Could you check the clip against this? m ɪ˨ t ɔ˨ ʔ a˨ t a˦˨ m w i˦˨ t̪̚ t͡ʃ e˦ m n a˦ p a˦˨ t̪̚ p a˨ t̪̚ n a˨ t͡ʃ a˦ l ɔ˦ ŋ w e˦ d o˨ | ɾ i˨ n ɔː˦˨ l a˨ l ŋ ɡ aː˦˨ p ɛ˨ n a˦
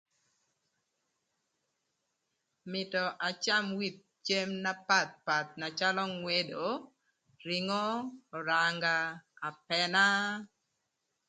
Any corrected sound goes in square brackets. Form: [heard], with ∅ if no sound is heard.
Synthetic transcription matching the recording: m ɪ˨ t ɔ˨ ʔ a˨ [t͡ʃ] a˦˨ m w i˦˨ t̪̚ t͡ʃ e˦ m n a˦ p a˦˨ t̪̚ p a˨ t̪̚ n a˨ t͡ʃ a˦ l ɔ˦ ŋ w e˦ d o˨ | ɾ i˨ [ŋ] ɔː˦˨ [ɾ] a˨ [∅] ŋ ɡ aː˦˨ p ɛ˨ n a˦